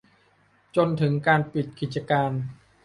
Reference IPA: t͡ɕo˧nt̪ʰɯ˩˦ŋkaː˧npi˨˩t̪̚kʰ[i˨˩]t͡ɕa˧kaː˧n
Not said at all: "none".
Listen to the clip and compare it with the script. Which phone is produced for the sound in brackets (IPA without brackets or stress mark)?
i˨˩